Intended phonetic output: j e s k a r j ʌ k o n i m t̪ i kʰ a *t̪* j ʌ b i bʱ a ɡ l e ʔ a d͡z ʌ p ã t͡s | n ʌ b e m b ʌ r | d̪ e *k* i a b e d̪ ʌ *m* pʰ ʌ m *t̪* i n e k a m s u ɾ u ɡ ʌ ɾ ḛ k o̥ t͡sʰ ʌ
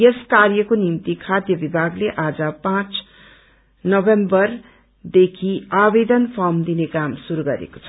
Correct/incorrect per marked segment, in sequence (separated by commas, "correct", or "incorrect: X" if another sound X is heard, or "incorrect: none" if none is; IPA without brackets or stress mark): incorrect: d̪, incorrect: kʰ, incorrect: n, incorrect: d̪